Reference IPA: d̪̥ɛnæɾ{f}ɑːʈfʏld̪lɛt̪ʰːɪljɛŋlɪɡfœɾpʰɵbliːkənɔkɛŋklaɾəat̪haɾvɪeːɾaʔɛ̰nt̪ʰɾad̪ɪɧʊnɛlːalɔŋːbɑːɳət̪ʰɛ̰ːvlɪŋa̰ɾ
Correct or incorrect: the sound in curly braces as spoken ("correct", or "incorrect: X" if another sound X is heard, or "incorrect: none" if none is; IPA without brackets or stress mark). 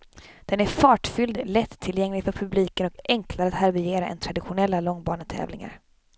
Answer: correct